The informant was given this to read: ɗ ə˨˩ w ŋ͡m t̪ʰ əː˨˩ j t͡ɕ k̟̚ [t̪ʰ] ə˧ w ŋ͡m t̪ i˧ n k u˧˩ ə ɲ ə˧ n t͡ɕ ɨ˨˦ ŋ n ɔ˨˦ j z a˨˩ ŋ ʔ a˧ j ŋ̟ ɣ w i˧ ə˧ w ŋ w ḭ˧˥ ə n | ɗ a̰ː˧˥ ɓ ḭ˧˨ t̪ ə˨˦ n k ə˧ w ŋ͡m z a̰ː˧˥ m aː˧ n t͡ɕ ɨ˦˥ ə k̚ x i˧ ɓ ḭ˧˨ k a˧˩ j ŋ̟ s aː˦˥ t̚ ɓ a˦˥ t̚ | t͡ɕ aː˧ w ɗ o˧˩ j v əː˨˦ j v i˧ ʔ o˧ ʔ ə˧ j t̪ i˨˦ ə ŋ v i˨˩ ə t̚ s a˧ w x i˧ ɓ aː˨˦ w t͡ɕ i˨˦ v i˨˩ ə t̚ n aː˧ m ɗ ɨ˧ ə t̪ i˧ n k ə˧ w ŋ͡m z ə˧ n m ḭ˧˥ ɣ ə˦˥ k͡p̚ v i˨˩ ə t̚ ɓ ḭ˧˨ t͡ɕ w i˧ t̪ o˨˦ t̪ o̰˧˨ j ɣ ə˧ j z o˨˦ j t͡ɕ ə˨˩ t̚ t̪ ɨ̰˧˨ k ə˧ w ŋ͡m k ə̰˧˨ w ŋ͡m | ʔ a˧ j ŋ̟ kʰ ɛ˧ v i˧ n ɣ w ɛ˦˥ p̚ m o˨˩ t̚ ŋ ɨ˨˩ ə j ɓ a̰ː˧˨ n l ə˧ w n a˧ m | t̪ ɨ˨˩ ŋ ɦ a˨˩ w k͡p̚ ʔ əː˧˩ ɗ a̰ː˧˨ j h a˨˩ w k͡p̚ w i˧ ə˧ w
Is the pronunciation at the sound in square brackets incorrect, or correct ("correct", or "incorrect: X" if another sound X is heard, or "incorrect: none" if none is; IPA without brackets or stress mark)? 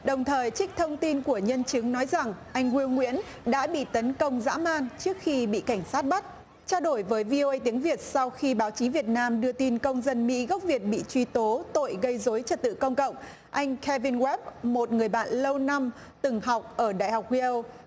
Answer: correct